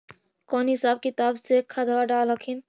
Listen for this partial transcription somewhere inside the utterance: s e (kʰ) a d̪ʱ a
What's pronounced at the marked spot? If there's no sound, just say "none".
kʰ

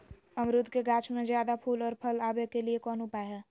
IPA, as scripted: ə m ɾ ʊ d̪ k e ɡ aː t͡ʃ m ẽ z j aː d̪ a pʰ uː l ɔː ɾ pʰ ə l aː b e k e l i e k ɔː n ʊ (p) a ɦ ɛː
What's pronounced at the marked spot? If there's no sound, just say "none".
p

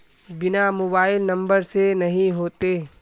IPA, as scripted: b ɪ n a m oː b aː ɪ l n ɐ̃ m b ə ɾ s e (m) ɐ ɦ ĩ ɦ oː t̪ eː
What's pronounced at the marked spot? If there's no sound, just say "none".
n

